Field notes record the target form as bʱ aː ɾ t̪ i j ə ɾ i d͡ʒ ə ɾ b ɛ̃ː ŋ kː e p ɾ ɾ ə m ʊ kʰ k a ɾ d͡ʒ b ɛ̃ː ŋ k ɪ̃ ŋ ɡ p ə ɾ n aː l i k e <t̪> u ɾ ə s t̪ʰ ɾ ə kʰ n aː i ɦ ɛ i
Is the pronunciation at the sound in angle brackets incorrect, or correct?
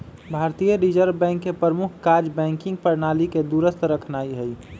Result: incorrect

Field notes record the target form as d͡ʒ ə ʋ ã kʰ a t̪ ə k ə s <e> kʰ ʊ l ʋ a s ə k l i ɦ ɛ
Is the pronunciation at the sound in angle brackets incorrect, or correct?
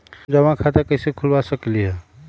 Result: correct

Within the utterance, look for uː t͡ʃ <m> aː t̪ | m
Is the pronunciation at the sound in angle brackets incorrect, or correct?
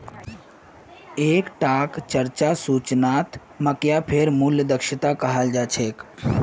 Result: incorrect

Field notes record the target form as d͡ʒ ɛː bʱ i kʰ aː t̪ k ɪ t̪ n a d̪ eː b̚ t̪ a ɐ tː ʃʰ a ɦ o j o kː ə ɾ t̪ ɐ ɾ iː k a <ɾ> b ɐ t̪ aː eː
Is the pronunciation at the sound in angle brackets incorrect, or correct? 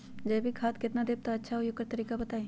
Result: incorrect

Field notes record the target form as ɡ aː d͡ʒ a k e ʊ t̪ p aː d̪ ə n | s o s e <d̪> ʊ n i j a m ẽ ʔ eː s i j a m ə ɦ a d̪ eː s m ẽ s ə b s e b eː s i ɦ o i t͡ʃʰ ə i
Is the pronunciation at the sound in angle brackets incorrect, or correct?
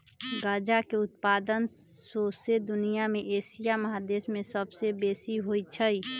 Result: correct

